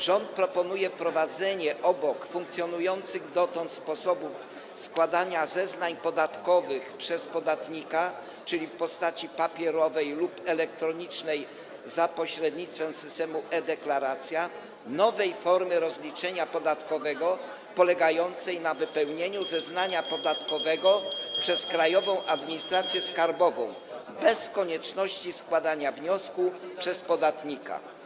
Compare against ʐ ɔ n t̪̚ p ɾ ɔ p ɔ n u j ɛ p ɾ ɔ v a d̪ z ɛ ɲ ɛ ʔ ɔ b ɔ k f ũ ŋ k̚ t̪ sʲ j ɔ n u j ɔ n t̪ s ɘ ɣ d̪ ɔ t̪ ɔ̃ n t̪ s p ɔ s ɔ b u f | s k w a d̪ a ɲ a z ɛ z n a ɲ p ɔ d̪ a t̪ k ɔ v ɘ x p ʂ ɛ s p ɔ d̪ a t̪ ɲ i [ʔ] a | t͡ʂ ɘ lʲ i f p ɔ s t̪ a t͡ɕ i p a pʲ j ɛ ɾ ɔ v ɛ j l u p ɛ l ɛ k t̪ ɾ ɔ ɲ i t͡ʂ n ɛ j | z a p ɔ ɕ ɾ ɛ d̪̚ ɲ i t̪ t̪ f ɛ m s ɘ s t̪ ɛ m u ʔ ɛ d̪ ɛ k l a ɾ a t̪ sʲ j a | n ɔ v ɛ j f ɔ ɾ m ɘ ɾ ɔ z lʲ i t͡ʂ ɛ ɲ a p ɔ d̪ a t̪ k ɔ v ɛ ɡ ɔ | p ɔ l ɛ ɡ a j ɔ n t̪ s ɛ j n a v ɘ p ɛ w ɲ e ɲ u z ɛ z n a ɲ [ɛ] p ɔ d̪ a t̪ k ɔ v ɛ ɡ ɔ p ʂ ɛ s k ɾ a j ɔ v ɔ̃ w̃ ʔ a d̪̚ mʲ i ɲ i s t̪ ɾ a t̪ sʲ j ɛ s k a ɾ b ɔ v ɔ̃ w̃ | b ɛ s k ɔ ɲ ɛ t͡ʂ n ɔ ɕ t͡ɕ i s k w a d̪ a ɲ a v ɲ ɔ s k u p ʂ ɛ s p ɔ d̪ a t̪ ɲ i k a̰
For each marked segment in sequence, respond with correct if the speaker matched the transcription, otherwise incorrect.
incorrect: k, incorrect: a

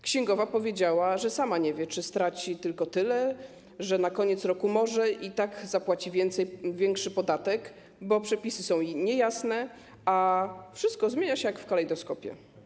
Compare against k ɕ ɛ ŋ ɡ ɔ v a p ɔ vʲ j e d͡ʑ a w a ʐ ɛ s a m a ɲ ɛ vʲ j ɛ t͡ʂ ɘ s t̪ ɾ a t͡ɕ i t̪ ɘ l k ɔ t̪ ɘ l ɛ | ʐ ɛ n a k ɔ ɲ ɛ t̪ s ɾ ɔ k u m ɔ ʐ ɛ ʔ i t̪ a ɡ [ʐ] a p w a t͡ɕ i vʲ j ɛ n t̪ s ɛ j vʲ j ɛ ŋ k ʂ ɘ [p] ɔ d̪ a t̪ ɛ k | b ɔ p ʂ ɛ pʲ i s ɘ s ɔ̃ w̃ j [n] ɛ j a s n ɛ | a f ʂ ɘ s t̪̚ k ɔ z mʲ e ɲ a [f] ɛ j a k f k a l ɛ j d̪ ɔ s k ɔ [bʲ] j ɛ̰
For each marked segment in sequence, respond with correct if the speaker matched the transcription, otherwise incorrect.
incorrect: z, correct, incorrect: ɲ, incorrect: ɕ, incorrect: pʲ

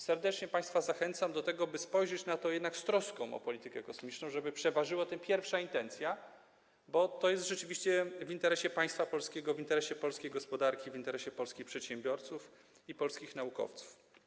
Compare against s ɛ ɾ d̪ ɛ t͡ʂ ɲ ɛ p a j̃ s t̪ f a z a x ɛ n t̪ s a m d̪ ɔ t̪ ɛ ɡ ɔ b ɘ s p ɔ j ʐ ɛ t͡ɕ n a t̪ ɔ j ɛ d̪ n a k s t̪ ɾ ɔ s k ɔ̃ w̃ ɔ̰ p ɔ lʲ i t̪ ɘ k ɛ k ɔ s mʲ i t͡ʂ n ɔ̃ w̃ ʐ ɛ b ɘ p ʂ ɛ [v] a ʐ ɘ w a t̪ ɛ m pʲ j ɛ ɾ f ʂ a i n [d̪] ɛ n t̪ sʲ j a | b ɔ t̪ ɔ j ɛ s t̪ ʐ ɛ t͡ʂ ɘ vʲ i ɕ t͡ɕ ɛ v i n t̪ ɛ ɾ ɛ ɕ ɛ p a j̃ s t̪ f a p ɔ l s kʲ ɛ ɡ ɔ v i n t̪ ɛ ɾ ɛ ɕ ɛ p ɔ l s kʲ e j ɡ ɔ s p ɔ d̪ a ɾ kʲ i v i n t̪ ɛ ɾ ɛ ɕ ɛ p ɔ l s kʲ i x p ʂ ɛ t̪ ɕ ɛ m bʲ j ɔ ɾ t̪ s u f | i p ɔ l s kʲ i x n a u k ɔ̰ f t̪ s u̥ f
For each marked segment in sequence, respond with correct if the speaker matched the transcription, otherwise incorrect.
correct, incorrect: t̪

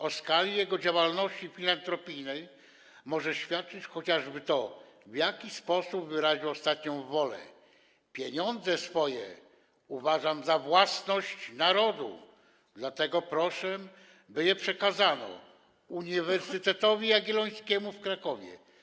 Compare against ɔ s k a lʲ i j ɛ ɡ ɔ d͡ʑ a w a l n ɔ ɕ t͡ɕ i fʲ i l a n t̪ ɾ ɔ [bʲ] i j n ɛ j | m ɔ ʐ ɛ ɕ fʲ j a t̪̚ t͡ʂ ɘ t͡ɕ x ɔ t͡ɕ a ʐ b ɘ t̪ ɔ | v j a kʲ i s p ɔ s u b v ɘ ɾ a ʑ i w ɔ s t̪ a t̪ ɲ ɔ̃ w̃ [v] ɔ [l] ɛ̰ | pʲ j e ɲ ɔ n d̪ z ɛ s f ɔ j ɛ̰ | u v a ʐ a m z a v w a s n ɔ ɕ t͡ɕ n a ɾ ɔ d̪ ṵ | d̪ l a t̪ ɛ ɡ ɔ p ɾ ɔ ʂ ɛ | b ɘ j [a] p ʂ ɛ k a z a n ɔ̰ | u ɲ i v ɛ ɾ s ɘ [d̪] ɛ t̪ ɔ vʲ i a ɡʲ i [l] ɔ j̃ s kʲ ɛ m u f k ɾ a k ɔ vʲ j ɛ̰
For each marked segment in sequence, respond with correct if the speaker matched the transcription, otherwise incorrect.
incorrect: pʲ, correct, correct, incorrect: ɛ, incorrect: t̪, correct

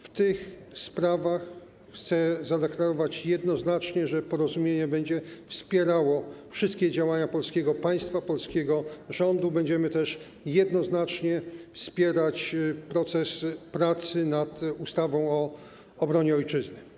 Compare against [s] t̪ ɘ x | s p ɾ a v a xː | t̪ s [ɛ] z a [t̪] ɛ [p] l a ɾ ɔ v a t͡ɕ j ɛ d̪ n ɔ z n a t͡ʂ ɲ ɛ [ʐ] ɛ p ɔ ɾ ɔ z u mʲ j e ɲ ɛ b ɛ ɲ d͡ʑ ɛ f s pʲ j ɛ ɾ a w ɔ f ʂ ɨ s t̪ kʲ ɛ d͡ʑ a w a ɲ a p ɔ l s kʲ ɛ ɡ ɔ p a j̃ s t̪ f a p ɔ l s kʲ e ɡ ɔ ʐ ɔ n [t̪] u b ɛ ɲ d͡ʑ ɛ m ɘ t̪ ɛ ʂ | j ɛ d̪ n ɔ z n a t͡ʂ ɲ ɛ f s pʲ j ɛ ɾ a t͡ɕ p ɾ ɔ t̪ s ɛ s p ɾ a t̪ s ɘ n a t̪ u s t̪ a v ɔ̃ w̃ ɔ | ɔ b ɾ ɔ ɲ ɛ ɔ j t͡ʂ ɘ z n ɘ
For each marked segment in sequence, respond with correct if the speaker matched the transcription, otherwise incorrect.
incorrect: f, correct, incorrect: d̪, incorrect: k, correct, incorrect: d̪

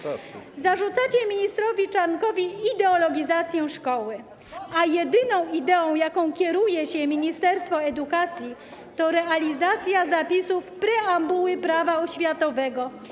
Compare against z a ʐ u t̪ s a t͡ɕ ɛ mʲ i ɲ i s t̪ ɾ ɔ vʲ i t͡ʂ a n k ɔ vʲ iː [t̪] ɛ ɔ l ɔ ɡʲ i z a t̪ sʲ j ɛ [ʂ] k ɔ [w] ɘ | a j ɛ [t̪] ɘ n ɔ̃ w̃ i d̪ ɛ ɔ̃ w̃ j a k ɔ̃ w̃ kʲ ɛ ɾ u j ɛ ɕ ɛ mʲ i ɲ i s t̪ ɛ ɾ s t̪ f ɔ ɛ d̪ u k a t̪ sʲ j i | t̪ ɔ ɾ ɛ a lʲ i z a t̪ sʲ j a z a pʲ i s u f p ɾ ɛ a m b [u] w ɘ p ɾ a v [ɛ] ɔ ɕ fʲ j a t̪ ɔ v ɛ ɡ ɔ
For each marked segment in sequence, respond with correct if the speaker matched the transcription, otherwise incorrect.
incorrect: d̪, correct, correct, incorrect: d̪, correct, incorrect: a

